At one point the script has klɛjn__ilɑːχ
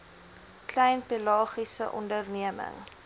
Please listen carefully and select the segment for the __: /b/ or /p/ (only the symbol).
p